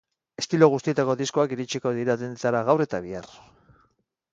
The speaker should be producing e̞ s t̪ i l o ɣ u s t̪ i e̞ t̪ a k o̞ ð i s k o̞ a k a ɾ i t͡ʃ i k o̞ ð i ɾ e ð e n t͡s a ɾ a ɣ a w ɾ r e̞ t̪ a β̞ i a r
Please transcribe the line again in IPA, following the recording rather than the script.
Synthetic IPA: e̞ s t̪ i l o ɣ u s t̪ i e̞ t̪ a k o̞ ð i s k o̞ a k i ɾ i t͡ʃ i k o̞ ð i ɾ a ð e n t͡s a ɾ a ɣ a w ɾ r e̞ t̪ a β̞ i a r